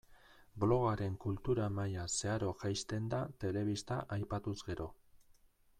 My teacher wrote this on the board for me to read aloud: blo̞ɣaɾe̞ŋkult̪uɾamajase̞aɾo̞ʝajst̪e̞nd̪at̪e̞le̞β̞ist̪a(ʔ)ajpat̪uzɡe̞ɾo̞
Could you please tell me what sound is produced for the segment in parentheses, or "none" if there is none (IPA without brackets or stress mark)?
ʔ